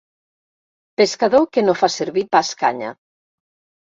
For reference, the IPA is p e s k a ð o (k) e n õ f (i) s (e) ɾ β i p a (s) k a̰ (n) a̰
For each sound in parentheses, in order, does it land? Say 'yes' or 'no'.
yes, no, yes, yes, no

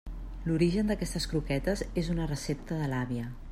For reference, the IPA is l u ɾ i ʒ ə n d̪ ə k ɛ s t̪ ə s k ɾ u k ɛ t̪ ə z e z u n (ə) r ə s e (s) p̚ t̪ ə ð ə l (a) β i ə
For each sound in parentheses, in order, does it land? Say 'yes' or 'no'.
yes, no, yes

